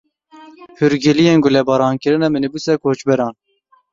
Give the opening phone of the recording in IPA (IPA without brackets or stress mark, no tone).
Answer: h